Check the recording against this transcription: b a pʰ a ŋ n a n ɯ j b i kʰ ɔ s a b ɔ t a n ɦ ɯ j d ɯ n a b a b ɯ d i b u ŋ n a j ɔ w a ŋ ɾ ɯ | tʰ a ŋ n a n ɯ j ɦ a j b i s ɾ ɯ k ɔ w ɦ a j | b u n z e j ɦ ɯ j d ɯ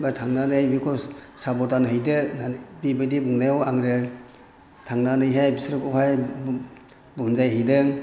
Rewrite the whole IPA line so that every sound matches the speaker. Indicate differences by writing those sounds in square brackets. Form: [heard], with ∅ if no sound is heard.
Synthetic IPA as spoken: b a [tʰ] a ŋ n a n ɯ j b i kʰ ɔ s a b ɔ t a n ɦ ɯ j d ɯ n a b [i] b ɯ d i b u ŋ n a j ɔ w a ŋ ɾ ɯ | tʰ a ŋ n a n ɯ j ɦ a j b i s ɾ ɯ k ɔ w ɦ a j | b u n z [a] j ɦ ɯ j d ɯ